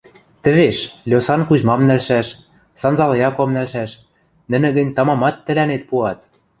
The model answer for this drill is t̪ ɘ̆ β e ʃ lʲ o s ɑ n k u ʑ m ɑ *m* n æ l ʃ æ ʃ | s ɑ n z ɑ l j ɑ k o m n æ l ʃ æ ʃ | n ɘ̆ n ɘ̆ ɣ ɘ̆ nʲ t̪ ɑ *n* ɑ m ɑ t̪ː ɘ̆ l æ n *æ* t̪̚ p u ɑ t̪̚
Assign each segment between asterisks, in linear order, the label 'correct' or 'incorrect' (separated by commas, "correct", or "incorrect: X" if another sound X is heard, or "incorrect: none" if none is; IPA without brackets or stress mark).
correct, incorrect: m, incorrect: e